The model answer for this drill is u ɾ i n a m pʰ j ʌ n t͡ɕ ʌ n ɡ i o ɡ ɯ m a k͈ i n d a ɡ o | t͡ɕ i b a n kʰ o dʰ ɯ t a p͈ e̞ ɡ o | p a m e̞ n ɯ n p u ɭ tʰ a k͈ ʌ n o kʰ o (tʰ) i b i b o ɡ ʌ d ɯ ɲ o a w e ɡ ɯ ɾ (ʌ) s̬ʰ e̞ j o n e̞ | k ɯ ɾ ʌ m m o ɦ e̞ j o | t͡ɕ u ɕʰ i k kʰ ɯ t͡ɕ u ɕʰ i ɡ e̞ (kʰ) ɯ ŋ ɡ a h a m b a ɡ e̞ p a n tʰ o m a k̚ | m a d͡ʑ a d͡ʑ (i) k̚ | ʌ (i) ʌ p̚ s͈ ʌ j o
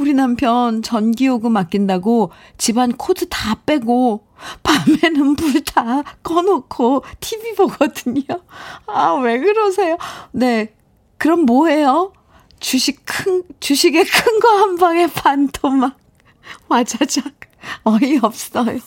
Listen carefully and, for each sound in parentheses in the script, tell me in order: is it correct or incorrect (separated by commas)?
correct, correct, correct, incorrect, correct